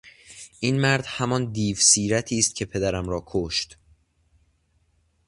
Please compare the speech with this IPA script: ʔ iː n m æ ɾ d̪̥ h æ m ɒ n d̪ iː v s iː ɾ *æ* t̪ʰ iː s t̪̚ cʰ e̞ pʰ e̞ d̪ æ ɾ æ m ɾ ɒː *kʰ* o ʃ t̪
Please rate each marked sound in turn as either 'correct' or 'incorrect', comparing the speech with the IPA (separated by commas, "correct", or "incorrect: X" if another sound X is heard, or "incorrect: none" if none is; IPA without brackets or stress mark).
correct, correct